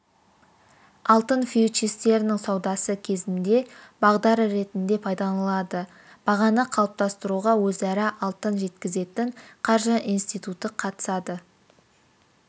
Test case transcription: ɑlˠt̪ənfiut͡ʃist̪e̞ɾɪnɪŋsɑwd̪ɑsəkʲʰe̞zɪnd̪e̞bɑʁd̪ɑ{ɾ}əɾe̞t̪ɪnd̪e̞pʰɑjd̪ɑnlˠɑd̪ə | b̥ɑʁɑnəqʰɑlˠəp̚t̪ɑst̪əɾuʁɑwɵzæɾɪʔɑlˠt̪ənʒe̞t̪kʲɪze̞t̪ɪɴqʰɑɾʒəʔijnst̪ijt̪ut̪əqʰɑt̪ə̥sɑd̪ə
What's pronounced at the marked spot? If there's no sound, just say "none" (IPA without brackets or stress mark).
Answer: ɾ